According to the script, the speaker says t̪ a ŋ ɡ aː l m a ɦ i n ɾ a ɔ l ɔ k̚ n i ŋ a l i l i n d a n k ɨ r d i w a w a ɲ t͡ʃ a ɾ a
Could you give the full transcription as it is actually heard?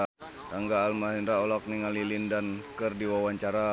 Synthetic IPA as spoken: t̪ a ŋ ɡ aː l m a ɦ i n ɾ a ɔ l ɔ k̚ n i ŋ a l i l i n d a n k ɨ r d i w a w a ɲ t͡ʃ a ɾ a